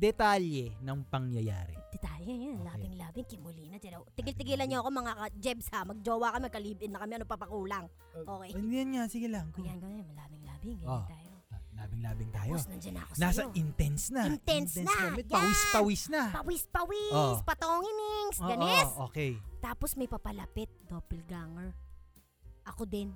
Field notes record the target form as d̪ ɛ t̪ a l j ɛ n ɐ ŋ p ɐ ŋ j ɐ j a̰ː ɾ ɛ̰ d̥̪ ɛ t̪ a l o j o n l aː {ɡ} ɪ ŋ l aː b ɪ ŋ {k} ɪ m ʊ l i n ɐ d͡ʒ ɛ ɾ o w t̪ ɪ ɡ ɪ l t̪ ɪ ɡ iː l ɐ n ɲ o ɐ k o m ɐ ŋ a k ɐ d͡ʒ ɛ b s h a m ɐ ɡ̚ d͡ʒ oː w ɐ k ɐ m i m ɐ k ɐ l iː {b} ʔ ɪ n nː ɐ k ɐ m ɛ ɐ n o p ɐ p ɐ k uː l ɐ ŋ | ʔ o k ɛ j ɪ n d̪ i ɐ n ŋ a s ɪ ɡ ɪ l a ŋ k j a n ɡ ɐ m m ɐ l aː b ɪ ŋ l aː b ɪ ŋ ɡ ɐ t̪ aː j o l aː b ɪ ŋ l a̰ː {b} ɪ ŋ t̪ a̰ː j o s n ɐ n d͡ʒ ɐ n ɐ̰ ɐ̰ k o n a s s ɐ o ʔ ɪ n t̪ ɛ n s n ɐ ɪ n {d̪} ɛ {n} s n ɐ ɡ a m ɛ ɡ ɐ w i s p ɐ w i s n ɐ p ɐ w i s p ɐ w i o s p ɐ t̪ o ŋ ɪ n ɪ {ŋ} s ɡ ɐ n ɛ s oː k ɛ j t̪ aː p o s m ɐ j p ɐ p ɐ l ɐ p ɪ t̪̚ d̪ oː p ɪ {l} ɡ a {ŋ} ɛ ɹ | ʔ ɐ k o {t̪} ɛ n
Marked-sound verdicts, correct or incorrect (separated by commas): incorrect, correct, correct, correct, incorrect, correct, correct, correct, correct, incorrect